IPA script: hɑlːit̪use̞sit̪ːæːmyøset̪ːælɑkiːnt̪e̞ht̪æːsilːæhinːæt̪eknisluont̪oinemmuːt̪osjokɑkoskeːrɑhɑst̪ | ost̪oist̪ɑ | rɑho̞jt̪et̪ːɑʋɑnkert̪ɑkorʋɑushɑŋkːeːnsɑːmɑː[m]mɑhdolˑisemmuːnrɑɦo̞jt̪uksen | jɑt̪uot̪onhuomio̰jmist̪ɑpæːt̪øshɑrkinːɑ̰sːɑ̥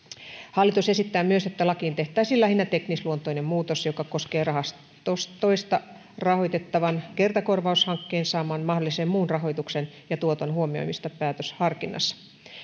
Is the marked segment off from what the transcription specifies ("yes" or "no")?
yes